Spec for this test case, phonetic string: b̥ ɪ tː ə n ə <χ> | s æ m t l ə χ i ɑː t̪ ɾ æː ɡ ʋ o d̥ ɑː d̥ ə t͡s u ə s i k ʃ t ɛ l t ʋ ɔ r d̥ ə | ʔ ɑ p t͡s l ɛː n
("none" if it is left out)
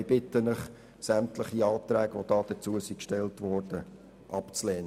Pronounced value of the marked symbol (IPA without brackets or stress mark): χ